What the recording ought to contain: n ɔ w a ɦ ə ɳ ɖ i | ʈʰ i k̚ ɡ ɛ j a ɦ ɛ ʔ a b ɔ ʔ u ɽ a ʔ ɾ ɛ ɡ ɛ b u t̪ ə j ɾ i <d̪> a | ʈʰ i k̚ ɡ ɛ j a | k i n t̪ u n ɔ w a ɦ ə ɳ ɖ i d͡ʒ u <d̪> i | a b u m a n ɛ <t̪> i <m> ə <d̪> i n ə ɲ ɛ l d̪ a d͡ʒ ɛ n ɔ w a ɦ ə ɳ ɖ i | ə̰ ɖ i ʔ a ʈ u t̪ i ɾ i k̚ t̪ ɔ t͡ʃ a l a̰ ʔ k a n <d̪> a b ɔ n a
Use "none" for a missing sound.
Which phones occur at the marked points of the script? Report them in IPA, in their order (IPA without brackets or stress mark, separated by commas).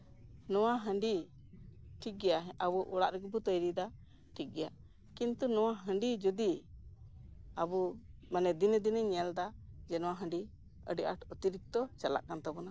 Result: d̪, d̪, d̪, n, d̪, t̪